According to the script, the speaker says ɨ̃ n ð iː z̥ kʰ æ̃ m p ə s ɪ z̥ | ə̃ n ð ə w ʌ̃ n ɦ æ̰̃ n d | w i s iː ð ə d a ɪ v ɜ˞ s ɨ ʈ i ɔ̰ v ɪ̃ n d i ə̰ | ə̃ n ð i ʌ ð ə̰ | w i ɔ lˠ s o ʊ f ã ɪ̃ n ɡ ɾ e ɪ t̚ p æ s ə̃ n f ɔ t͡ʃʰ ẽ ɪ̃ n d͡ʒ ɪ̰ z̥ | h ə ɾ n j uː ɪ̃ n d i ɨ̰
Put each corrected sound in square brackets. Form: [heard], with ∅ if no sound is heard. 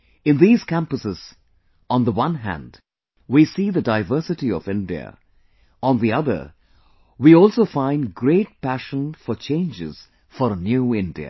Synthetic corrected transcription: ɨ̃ n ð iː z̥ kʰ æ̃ m p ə s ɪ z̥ | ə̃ n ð ə w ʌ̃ n ɦ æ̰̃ n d | w i s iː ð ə d a ɪ v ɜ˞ s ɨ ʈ i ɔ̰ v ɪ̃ n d i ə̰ | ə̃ n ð i ʌ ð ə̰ | w i ɔ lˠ s o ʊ f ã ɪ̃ n ɡ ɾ e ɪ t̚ p æ [ʃ] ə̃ n f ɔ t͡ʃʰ ẽ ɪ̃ n d͡ʒ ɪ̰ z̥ | [f] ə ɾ n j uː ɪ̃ n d i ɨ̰